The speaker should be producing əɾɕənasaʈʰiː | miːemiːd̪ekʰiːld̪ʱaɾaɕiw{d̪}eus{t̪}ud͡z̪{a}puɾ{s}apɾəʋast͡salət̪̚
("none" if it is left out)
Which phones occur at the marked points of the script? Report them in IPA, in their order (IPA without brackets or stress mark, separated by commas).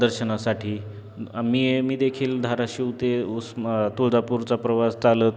t̪, t̪, a, t͡s